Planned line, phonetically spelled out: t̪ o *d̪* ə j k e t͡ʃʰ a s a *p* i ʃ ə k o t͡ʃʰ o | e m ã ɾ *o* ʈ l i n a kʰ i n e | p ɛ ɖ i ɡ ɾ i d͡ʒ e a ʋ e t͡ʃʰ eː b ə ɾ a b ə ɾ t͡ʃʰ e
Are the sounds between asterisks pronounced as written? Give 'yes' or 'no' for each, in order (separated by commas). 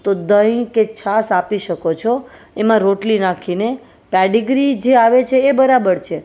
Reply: yes, yes, yes